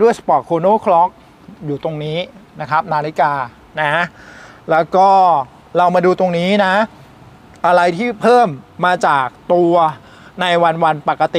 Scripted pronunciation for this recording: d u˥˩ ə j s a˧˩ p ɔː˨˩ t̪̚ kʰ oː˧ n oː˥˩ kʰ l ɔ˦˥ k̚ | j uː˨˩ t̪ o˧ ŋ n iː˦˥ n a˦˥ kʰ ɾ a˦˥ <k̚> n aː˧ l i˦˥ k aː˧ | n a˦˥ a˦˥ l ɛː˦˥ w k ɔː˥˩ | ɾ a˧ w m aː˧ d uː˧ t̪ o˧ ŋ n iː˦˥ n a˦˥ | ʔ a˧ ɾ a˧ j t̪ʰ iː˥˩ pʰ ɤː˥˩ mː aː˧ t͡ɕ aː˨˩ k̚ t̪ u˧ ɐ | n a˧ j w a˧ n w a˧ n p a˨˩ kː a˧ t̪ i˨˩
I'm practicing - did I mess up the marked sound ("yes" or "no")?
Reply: yes